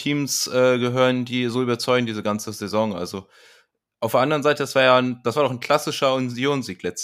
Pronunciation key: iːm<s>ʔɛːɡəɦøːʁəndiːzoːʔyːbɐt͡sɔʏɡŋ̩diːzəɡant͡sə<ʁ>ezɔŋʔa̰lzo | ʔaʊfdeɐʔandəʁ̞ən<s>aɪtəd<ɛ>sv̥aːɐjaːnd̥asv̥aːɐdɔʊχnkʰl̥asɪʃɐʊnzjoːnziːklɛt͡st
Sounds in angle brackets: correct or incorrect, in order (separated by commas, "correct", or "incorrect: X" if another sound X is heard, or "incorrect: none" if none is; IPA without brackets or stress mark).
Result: correct, incorrect: z, incorrect: z, incorrect: a